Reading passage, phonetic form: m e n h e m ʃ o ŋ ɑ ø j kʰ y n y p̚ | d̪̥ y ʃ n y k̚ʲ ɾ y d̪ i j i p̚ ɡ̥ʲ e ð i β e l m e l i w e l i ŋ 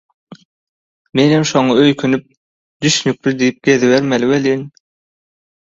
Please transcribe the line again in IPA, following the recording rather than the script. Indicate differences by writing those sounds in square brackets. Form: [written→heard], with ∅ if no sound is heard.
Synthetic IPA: m e n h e m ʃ o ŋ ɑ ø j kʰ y n y p̚ | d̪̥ y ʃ n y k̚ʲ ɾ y d̪ i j i p̚ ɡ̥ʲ e ð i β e [l→ɾ] m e l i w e l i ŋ